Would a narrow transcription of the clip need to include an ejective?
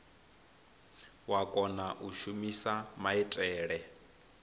yes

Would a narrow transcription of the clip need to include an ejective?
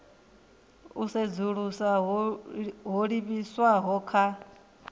no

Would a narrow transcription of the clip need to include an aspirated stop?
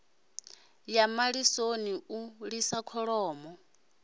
yes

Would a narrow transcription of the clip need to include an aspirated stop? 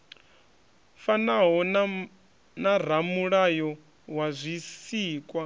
no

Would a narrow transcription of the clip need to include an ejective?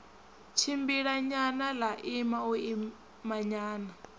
no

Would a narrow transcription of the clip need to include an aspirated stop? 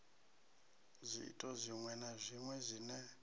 no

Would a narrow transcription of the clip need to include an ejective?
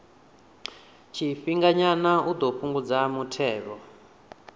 no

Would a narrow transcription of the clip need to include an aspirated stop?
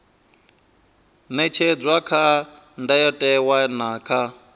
yes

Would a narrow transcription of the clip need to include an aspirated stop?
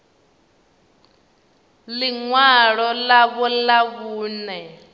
no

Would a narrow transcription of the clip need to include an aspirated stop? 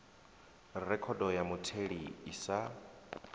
yes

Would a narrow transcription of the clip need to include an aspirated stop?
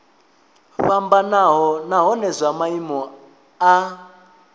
no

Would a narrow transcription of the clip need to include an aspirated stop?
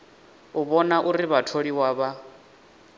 yes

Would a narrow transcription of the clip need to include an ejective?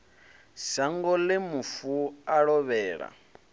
no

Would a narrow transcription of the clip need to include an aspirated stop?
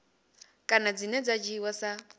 no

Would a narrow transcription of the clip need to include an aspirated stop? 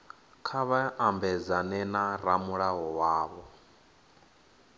yes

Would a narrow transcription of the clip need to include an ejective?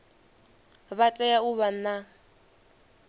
yes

